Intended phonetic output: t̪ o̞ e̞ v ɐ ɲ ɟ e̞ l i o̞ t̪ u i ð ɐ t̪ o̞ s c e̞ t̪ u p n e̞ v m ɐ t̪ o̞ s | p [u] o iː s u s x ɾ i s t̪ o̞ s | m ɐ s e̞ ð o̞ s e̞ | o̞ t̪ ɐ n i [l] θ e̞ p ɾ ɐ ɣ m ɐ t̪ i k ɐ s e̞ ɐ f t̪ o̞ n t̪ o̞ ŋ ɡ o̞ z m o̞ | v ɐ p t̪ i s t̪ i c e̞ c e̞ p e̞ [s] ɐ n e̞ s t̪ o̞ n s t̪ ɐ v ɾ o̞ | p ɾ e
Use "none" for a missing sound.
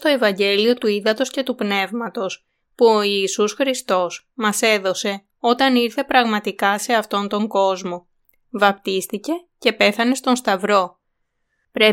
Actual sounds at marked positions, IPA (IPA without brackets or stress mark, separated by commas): u, ɾ, θ